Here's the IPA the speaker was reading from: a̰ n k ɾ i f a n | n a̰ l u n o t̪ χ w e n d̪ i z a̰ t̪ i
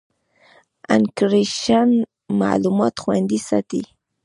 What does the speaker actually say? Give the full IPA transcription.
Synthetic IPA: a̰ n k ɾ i ʃ a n | m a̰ l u m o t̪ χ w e n d̪ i s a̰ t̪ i

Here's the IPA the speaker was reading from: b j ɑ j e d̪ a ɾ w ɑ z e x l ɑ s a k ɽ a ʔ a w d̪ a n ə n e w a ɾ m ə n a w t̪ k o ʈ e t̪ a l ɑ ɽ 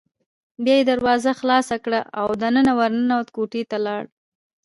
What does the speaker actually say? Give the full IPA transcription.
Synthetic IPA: b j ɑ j e d̪ a ɾ w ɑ z a x l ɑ s a k ɽ a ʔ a w d̪ a n ə n a w a ɾ n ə n a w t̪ k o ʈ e t̪ a l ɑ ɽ

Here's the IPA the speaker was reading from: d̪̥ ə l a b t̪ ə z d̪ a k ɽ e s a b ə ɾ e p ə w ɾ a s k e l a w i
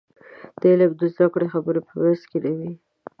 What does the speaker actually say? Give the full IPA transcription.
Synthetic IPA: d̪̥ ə l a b d̪ ə z d̪ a k ɽ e x a b ə ɾ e p ə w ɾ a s k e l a w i

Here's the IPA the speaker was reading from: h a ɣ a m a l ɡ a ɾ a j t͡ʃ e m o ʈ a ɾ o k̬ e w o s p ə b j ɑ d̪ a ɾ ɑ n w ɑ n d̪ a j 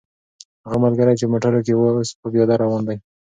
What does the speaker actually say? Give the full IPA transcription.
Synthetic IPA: h a ɣ a m a l ɡ a ɾ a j t͡ʃ e m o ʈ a ɾ o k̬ e w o s p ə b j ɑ d̪ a ɾ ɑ w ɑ n d̪ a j

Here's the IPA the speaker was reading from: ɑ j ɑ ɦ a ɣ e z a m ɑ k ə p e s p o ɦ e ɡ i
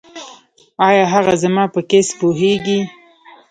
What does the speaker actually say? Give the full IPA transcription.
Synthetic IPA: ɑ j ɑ ɦ a ɣ a z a m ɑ p ə k e s p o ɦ e ɡ i

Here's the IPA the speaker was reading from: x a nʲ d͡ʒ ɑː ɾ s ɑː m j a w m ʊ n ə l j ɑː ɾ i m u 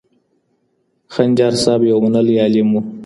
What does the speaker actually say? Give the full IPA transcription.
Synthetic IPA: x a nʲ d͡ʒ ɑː ɾ s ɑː b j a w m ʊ n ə l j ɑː l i m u

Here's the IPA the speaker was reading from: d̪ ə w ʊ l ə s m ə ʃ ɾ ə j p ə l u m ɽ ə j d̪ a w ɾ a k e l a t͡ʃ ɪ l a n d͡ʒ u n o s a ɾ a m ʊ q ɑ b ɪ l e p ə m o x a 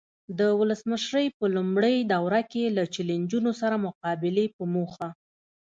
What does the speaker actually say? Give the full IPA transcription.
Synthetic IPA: d̪ ə w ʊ l ə s m ə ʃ ɾ ə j p ə l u m ɽ ə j d̪ a w ɾ a k e l a t͡ʃ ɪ l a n d͡ʒ u n o s a ɾ a m ʊ q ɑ b ɪ l e p ə m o x a

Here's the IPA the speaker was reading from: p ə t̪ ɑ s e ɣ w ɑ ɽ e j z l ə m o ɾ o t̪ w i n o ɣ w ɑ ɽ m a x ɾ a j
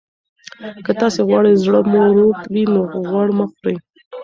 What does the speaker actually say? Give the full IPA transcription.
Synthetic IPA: k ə t̪ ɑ s e ɣ w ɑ ɽ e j z ɽ ə m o ɾ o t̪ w i n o ɣ w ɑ ɽ m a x ɾ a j

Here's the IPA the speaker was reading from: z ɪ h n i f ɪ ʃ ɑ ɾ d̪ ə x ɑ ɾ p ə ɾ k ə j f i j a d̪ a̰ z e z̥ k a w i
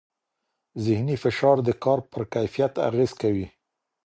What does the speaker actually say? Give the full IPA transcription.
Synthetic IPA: z ɪ h n i f ɪ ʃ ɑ ɾ d̪ ə k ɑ ɾ p ə ɾ k a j f i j a t̪ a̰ ɣ e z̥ k a w i

